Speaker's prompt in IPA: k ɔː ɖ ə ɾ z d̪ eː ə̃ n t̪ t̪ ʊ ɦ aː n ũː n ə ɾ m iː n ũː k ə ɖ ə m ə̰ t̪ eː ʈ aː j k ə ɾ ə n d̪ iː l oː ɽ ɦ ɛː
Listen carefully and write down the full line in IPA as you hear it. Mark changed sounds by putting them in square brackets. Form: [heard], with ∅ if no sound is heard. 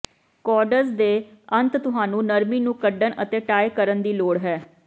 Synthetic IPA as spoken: k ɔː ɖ ə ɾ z d̪ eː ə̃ n t̪ t̪ ʊ ɦ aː n ũː n ə ɾ m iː n ũː k ə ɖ ə [n] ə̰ t̪ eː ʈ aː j k ə ɾ ə n d̪ iː l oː ɽ ɦ ɛː